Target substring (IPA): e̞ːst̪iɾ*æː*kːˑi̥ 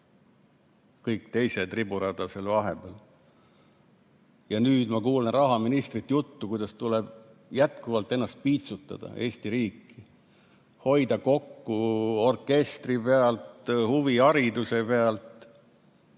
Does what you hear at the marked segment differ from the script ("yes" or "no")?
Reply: yes